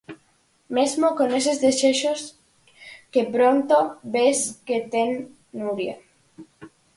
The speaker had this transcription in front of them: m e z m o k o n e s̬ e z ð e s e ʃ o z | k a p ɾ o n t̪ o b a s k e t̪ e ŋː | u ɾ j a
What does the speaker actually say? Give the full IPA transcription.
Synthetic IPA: m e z m o k o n e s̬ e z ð e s e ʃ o s | k e p ɾ o n t̪ o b e s k e t̪ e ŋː | u ɾ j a